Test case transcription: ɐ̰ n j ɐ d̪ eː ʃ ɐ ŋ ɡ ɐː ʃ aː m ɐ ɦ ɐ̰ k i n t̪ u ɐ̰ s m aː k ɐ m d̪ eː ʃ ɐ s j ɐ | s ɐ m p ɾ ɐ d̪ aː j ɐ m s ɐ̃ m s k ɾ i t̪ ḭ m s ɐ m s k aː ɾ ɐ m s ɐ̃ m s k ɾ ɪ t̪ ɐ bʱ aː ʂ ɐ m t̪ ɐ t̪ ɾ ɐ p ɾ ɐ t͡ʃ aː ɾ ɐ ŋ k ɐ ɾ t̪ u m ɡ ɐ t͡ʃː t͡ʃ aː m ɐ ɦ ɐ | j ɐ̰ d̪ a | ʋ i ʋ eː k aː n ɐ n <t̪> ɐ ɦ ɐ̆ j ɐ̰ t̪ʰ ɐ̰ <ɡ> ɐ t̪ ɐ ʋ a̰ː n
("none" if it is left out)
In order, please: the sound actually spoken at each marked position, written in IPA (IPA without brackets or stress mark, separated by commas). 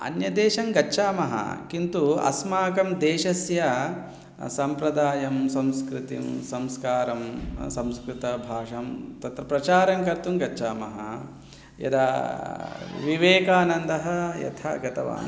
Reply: d̪, ɡ